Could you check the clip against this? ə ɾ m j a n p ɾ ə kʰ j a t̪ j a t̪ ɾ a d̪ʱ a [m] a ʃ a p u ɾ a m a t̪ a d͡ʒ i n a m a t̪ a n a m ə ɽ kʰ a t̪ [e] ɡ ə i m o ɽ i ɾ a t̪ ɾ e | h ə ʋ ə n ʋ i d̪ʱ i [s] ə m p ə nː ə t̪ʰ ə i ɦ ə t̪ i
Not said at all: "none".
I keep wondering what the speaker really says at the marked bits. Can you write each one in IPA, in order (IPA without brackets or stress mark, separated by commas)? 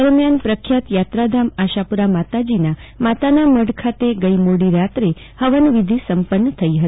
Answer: m, e, s